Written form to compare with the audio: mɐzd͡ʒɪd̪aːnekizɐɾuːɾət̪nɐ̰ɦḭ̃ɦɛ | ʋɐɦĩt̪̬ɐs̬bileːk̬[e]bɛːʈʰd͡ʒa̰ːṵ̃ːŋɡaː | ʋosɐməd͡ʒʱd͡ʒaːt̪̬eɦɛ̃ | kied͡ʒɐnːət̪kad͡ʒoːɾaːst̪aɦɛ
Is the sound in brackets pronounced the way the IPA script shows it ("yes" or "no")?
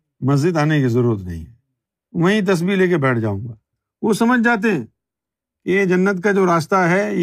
yes